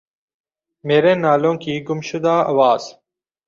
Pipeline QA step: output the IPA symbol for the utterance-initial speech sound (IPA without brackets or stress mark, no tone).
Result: m